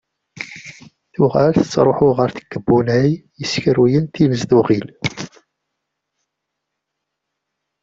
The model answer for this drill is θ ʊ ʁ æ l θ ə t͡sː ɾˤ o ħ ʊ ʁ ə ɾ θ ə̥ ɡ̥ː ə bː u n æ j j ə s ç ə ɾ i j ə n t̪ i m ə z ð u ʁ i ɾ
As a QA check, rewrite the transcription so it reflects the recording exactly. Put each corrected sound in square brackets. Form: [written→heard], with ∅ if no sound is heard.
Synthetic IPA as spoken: θ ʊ ʁ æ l θ ə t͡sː ɾˤ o ħ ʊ ʁ ə ɾ θ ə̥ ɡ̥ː ə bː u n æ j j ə s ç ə ɾ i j ə n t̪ i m ə z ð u ʁ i [ɾ→l]